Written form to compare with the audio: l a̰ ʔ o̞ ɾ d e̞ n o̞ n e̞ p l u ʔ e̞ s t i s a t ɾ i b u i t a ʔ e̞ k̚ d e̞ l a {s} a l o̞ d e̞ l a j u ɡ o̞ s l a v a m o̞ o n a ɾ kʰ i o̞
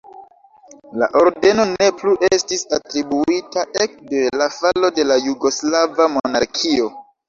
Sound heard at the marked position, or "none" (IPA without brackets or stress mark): f